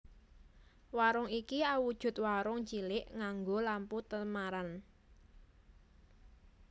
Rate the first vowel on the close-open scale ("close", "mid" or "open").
open